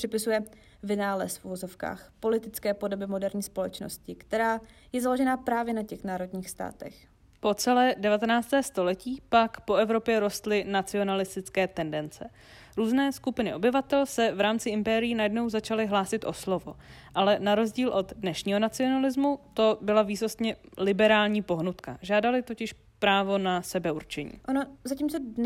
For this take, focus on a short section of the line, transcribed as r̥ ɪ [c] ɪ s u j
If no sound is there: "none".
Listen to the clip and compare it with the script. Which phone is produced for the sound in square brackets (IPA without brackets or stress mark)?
p